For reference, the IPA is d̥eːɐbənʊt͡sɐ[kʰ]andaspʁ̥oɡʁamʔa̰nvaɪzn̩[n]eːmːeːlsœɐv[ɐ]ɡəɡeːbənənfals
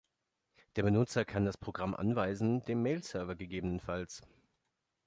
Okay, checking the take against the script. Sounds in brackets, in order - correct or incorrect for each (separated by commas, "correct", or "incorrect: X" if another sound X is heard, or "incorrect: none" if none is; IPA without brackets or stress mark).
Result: correct, incorrect: d, correct